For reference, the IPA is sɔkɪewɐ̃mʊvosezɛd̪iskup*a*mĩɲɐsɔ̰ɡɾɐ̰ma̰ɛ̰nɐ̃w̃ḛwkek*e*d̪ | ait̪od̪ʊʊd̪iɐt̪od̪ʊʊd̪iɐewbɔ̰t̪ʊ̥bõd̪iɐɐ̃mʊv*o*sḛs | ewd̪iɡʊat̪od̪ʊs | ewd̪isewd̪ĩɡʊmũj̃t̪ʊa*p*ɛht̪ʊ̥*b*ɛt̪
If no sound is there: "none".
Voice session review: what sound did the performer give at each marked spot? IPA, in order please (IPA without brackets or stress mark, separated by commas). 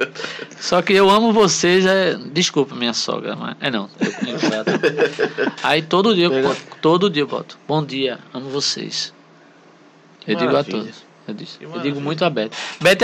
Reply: ɐ, a, o, b, b